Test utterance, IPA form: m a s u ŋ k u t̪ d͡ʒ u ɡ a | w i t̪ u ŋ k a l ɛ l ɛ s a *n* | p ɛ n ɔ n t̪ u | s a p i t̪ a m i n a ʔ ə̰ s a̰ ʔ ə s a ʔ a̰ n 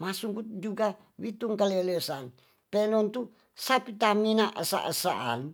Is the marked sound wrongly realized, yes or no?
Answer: no